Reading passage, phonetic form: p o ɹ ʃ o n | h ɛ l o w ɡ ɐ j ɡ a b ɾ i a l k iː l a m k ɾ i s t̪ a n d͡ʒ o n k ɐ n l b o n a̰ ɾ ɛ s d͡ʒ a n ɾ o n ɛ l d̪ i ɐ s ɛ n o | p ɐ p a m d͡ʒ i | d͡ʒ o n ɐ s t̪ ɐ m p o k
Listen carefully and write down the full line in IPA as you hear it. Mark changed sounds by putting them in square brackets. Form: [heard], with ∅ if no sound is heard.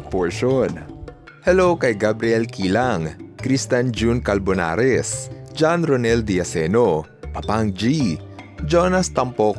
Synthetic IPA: p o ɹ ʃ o n | h ɛ l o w [k] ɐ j ɡ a b ɾ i [ɛ] l k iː l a [ŋ] k ɾ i s t̪ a n d͡ʒ [u] n k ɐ [∅] l b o n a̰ ɾ ɛ s d͡ʒ a n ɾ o n ɛ l d̪ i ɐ s ɛ n o | p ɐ p a [ŋ] d͡ʒ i | d͡ʒ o n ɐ s t̪ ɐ m p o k